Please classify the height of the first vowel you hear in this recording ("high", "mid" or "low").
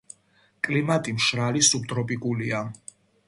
high